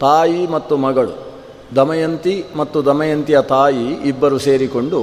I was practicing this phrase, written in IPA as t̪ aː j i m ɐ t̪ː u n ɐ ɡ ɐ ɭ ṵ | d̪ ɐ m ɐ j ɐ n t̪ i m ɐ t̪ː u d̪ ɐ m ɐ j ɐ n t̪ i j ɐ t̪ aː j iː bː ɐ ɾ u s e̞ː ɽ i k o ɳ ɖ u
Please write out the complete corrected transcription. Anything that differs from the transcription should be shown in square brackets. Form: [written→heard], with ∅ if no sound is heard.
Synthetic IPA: t̪ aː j i m ɐ t̪ː u [n→m] ɐ ɡ ɐ ɭ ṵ | d̪ ɐ m ɐ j ɐ n t̪ i m ɐ t̪ː u d̪ ɐ m ɐ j ɐ n t̪ i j ɐ t̪ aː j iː bː ɐ ɾ u s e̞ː [ɽ→ɾ] i k o ɳ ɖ u